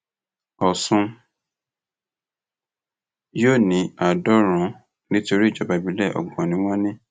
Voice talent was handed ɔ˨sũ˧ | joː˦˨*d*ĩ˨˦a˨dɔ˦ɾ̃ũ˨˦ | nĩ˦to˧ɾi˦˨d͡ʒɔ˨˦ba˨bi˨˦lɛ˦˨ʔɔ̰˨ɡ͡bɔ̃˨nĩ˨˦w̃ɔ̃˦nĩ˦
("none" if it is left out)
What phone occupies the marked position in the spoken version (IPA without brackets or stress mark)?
n